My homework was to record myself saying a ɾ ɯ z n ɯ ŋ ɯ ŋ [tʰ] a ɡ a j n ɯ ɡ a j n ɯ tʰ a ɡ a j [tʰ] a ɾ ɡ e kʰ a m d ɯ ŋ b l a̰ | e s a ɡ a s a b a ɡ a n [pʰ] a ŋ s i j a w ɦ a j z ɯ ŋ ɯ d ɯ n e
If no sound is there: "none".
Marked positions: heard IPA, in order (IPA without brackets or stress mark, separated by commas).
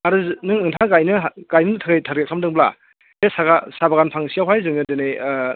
tʰ, tʰ, pʰ